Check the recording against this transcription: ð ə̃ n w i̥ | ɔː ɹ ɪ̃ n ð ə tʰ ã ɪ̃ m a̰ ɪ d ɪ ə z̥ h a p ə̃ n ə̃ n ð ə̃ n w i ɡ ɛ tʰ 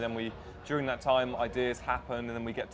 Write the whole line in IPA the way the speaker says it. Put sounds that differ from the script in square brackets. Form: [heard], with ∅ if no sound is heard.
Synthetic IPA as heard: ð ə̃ n w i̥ | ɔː ɹ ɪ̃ [ŋ] ð ə tʰ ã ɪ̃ m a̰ ɪ d ɪ ə z̥ h a p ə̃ n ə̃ n ð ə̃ n w i ɡ ɛ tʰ